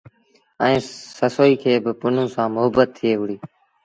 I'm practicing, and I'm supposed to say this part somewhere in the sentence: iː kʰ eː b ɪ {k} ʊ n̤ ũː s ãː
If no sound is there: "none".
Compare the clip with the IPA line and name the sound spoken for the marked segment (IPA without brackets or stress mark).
p